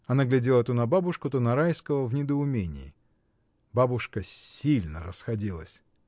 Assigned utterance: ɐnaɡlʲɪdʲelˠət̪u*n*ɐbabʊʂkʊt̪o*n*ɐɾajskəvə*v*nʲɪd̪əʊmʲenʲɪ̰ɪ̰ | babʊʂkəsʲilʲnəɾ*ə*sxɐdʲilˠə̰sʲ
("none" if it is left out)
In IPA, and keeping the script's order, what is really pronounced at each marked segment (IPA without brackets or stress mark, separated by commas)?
n, n, v, ə